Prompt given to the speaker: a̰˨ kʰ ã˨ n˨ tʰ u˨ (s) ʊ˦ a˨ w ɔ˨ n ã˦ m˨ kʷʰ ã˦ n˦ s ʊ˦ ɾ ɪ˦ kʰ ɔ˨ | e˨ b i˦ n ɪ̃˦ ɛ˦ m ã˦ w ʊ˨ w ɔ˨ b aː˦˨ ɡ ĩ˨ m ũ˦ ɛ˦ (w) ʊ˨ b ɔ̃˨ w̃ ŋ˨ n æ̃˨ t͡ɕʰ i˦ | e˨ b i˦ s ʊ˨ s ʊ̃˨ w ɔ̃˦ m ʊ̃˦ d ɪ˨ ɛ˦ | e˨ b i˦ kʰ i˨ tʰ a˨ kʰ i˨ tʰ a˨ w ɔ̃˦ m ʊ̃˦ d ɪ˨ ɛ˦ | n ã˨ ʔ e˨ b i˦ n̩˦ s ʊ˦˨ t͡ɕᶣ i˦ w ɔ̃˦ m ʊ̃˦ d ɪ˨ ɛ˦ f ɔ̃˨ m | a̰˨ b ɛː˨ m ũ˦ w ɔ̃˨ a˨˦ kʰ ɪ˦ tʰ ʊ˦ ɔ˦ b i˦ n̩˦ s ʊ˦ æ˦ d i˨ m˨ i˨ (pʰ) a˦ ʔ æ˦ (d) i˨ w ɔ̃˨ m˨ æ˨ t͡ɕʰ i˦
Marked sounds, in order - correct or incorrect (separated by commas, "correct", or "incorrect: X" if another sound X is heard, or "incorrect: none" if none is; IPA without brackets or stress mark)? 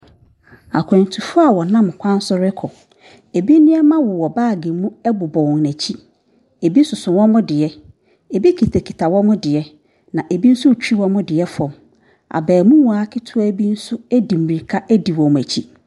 incorrect: f, incorrect: b, incorrect: kʰ, correct